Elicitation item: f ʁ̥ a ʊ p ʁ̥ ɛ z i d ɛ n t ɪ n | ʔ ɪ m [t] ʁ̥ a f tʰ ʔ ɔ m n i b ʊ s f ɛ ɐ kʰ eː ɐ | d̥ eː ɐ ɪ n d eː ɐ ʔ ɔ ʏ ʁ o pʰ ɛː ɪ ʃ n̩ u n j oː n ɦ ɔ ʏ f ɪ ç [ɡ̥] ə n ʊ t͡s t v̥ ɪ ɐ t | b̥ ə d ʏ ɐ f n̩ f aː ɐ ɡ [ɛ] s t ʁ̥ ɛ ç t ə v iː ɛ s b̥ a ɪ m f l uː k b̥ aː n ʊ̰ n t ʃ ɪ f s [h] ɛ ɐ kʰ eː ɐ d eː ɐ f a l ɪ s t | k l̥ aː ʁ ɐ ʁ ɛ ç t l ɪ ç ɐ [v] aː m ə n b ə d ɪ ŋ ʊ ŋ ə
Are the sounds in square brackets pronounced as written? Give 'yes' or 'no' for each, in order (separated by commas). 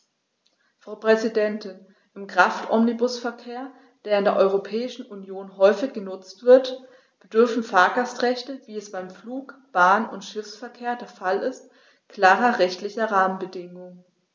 no, yes, no, no, no